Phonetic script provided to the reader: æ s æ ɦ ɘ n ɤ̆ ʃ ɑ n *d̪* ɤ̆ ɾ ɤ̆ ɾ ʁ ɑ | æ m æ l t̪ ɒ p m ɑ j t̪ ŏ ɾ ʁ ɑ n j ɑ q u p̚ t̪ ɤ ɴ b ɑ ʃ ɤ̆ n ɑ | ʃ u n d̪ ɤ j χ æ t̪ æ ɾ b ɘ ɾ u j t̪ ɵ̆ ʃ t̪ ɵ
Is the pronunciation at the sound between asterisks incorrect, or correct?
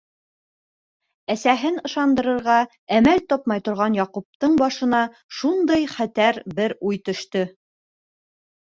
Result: correct